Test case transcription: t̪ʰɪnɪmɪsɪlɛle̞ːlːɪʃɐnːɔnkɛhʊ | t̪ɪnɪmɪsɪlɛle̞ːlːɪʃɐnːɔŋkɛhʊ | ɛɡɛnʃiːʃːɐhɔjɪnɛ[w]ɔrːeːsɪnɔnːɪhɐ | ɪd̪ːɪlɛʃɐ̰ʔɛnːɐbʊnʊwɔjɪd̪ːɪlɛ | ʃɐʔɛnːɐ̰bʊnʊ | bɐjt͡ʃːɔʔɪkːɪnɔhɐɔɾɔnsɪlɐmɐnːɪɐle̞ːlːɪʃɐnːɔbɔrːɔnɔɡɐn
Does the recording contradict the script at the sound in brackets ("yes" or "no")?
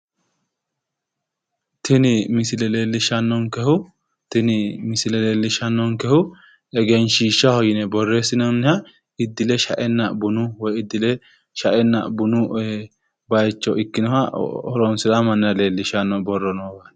yes